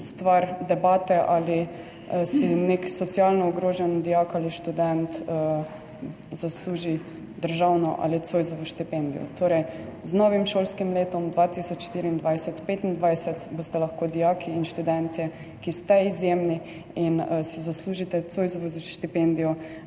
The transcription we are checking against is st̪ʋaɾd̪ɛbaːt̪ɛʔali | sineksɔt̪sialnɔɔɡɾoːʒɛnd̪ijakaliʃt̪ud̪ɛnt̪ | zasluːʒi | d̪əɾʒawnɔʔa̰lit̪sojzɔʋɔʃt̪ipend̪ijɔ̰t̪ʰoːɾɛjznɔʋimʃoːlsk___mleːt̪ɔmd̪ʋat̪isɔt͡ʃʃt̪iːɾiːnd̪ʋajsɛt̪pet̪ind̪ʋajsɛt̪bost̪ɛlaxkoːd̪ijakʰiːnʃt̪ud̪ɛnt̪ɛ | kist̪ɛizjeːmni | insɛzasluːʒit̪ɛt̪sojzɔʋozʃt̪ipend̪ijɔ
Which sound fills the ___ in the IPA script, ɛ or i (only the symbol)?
i